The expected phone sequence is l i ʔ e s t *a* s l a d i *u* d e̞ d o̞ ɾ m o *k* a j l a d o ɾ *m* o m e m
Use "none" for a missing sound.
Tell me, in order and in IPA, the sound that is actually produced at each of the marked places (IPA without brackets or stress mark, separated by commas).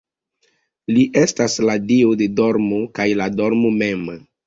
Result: a, o, k, m